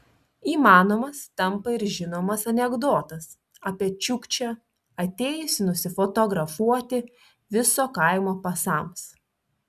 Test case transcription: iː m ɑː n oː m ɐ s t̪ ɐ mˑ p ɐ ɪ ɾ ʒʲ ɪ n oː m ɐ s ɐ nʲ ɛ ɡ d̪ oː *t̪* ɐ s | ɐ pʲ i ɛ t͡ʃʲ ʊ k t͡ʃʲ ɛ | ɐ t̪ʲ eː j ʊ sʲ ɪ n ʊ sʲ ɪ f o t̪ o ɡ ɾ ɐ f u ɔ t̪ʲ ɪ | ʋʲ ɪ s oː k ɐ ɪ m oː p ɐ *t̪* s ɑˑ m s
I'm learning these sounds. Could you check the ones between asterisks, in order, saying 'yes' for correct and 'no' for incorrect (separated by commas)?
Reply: yes, no